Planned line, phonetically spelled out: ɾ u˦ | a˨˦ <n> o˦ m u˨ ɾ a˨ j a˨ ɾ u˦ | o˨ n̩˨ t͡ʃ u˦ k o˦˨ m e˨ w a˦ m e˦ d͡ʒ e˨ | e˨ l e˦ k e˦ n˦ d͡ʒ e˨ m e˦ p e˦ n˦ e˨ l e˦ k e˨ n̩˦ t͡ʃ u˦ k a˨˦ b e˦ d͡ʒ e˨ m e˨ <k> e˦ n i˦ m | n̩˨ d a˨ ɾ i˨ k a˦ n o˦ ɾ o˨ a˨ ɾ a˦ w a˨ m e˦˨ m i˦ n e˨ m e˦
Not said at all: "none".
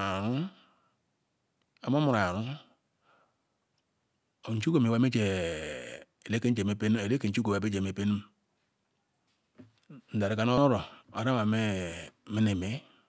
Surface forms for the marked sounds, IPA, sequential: m, p

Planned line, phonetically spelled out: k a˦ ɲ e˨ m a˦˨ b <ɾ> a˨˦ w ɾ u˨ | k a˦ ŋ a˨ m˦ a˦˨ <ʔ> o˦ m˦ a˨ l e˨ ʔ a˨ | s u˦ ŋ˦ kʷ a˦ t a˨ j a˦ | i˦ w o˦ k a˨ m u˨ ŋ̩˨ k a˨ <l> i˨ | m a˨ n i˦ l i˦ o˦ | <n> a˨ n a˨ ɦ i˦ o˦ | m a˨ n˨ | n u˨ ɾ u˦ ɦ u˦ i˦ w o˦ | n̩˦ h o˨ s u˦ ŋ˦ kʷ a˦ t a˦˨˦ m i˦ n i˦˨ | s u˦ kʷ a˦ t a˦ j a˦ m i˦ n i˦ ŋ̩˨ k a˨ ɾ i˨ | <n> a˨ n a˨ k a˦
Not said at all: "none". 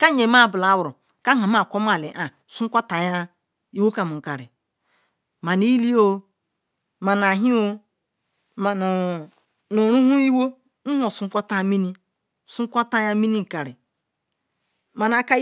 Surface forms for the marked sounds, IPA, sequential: l, k, ɾ, m, m

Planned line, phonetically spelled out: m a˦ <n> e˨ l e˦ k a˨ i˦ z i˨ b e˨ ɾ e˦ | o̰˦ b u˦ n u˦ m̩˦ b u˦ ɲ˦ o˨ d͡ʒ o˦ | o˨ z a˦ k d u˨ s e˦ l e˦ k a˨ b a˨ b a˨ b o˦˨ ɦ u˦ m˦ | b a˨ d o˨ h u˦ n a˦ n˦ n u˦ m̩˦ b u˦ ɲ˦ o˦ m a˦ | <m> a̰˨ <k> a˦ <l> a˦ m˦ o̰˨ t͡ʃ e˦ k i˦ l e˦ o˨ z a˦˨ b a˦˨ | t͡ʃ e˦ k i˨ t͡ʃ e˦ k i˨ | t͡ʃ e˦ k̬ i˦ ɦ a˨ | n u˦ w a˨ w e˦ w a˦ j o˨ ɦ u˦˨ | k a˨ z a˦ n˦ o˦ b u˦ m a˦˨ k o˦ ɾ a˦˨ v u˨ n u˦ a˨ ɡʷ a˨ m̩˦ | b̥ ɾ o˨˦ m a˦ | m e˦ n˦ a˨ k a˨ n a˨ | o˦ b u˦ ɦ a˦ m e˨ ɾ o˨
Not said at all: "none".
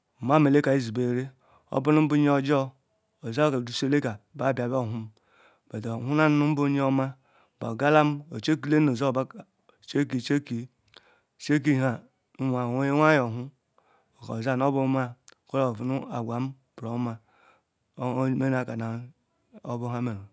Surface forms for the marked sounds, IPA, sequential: m, b, ɡ, l

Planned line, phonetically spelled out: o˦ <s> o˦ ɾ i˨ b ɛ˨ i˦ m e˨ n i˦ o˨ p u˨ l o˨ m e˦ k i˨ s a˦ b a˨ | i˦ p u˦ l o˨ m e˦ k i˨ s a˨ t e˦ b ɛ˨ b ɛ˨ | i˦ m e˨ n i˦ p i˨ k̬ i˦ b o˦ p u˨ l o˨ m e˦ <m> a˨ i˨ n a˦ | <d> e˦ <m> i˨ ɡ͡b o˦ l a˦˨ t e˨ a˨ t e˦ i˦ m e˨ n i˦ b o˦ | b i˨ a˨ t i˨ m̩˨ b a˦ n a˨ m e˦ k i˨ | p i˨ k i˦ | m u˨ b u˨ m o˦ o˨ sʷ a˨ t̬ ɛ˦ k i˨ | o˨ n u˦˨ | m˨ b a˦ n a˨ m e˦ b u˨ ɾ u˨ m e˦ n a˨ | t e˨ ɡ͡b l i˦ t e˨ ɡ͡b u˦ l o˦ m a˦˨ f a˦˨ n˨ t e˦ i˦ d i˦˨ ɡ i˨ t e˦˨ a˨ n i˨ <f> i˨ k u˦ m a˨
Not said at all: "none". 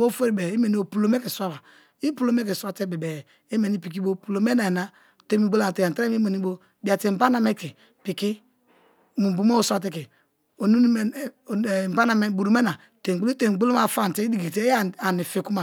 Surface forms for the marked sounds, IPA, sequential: f, n, t, m, f

